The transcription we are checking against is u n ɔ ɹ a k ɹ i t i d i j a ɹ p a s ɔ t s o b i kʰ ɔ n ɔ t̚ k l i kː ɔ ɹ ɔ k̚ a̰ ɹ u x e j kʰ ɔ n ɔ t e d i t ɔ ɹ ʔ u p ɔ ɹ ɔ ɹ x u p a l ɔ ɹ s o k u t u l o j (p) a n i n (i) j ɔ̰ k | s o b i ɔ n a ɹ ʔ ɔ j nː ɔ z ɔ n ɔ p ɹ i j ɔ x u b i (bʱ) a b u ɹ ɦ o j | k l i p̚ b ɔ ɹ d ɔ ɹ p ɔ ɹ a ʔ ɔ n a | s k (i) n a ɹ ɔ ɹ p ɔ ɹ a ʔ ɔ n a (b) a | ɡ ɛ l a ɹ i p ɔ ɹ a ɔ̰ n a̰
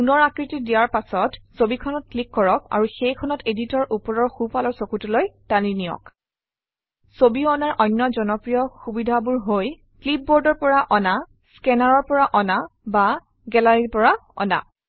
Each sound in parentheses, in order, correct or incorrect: incorrect, correct, incorrect, incorrect, correct

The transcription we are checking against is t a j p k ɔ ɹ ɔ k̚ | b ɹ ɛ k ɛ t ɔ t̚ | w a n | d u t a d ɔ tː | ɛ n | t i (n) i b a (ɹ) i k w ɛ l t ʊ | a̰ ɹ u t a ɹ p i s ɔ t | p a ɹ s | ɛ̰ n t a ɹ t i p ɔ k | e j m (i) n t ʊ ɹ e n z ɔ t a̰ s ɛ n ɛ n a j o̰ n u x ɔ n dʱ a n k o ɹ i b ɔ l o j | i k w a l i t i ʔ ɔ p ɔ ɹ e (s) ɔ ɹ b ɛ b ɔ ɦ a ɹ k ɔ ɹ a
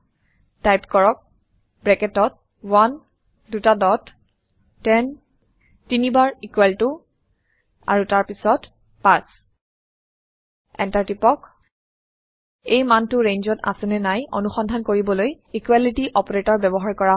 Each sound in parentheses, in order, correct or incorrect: correct, correct, incorrect, incorrect

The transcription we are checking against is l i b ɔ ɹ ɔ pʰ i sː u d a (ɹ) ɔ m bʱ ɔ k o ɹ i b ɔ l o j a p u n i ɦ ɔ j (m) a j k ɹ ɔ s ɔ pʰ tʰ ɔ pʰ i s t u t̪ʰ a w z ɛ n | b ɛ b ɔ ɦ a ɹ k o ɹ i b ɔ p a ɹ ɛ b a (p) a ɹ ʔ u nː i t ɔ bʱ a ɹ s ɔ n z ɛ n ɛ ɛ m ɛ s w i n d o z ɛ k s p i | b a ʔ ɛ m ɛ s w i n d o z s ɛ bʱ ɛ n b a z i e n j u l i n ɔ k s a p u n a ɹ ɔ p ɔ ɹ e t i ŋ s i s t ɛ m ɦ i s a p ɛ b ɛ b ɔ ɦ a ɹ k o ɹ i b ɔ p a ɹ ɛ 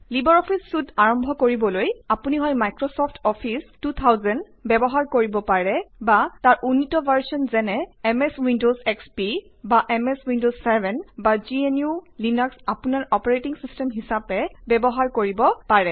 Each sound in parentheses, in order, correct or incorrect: correct, correct, incorrect

